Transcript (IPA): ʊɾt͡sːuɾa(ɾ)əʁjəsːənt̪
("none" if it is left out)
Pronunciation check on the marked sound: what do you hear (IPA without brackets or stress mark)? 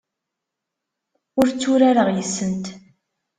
ɾ